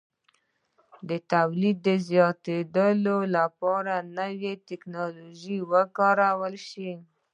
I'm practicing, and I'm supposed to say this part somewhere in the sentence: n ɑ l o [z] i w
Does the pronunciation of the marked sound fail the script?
yes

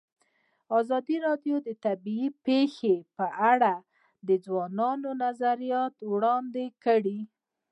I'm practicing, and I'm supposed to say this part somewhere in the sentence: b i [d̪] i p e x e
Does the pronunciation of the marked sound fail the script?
yes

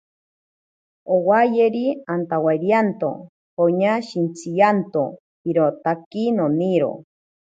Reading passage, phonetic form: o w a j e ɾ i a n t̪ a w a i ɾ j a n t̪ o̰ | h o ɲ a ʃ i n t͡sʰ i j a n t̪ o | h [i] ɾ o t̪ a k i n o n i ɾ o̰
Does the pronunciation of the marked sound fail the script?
no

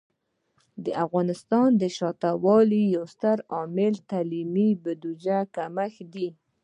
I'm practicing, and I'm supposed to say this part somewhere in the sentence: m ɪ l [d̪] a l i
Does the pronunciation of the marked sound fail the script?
yes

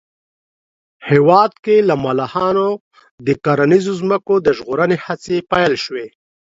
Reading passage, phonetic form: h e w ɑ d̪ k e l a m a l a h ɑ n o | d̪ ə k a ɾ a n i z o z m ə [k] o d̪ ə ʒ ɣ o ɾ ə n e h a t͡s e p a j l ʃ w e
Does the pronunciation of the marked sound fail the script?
no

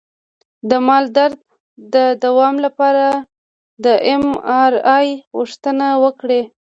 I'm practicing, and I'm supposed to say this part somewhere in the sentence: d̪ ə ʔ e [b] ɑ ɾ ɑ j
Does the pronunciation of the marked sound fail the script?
yes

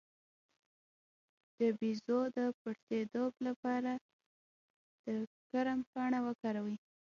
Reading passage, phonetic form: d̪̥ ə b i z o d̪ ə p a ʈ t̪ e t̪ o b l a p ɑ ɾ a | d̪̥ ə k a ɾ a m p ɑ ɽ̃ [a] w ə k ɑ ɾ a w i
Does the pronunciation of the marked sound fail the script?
no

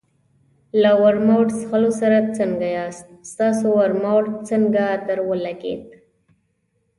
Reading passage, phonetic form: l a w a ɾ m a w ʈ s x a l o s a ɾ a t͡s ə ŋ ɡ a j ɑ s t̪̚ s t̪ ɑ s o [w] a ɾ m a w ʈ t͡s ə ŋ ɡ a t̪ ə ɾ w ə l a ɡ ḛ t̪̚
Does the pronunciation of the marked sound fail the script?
no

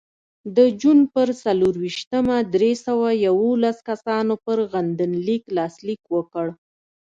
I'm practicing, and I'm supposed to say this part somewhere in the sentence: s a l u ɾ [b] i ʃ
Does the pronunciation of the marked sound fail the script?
yes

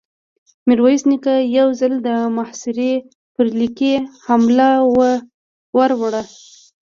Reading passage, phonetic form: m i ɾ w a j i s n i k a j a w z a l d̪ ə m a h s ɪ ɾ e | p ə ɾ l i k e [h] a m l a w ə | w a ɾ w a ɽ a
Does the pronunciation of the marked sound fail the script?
no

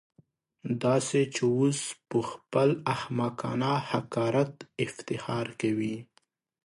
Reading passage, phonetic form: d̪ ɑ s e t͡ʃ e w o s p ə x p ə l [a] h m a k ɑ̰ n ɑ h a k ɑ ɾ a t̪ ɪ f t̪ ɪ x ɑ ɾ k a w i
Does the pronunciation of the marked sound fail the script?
no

